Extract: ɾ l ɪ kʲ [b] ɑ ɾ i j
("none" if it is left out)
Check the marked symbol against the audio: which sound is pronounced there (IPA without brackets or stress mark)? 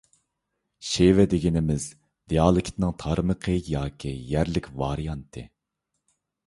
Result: v